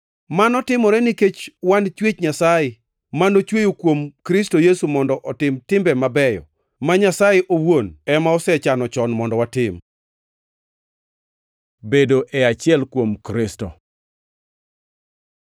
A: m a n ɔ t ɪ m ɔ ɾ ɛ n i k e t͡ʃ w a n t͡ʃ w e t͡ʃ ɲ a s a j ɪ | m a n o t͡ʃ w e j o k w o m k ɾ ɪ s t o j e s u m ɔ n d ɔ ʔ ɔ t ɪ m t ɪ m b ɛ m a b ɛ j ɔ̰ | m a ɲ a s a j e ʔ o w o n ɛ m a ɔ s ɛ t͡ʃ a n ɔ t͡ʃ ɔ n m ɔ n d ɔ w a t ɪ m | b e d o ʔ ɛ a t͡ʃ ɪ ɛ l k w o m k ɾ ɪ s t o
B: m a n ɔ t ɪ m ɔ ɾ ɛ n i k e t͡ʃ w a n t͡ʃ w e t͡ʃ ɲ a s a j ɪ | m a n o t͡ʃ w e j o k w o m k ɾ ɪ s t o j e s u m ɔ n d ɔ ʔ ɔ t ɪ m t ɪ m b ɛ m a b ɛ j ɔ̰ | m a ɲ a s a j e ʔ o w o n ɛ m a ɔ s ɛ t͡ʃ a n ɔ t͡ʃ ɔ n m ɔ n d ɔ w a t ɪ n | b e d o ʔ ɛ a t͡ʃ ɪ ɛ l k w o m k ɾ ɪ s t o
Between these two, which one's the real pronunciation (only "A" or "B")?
A